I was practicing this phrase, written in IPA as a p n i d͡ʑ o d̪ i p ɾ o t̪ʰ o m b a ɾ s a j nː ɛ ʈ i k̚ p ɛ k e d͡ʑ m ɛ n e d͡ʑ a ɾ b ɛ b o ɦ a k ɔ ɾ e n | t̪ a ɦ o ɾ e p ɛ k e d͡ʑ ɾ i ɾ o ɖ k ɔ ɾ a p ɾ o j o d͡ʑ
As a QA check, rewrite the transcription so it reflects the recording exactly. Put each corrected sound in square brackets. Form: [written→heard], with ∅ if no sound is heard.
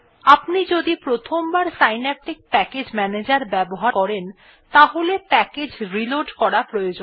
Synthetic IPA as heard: a p n i d͡ʑ o d̪ i p ɾ o t̪ʰ o m b a ɾ s a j [nː→n] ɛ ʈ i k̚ p ɛ k e d͡ʑ m ɛ n e d͡ʑ a ɾ b ɛ b o ɦ a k ɔ ɾ e n | t̪ a ɦ o [ɾ→l] e p ɛ k e d͡ʑ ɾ i [ɾ→l] o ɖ k ɔ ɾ a p ɾ o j o d͡ʑ